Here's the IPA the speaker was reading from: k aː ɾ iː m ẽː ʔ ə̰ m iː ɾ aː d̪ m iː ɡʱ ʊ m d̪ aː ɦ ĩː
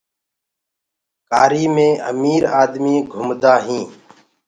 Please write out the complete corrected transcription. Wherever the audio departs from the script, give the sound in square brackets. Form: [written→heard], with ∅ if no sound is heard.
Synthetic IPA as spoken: k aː ɾ iː m ẽː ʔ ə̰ m iː ɾ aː d̪ m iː ɡʱ ʊ m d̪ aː ɦ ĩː